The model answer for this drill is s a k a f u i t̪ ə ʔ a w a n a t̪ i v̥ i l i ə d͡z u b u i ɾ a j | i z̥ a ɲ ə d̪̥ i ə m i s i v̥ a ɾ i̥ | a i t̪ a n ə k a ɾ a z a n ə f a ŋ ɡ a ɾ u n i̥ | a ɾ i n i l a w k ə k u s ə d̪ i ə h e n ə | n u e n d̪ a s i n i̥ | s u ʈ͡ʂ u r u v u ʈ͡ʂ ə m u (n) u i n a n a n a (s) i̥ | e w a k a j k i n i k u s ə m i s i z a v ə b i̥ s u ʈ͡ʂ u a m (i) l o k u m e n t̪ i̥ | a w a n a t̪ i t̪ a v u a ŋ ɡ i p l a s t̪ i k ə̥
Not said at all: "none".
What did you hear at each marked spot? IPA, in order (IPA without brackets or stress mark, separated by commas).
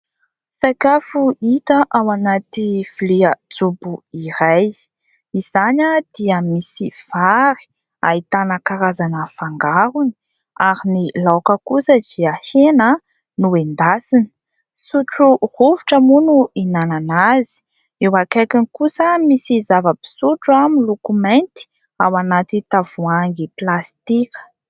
n, z, i